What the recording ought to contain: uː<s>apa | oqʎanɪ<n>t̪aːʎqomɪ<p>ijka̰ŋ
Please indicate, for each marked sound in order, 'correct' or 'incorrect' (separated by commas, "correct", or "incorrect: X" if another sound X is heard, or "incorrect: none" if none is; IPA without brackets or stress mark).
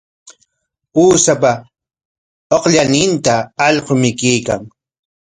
correct, correct, incorrect: k